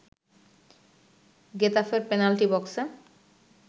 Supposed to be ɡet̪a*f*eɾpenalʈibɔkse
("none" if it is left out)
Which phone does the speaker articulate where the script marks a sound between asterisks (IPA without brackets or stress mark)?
f